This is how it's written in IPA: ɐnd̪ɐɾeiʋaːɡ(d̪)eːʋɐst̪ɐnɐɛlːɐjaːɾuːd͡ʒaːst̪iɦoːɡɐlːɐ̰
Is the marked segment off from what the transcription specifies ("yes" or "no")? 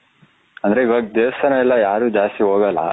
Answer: no